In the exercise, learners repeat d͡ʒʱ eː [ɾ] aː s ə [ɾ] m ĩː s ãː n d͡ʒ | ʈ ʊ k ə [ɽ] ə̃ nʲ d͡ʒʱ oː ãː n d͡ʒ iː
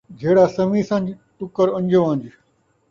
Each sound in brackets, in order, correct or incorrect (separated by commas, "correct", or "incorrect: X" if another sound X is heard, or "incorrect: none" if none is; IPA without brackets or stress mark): incorrect: ɽ, incorrect: none, incorrect: ɾ